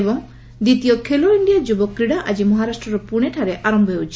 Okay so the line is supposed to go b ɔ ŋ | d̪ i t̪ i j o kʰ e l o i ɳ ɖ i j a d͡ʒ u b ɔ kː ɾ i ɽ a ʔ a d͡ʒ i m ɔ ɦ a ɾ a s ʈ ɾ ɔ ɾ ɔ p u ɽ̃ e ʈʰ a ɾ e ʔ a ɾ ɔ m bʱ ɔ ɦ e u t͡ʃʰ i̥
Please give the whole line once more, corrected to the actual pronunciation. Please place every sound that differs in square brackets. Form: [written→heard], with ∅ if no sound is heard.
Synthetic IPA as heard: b ɔ ŋ | d̪ i t̪ i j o kʰ e l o i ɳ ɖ i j a d͡ʒ u b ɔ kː ɾ i ɽ a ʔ a d͡ʒ i m ɔ ɦ a ɾ a s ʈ ɾ ɔ ɾ ɔ p u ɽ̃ e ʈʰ a ɾ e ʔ a ɾ ɔ m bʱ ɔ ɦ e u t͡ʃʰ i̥